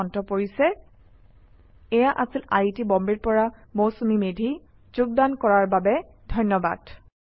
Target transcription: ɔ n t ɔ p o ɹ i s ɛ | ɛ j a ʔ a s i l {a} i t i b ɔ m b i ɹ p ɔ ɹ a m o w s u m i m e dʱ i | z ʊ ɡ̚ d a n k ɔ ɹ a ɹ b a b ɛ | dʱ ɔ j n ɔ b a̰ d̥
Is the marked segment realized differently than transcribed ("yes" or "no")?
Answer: no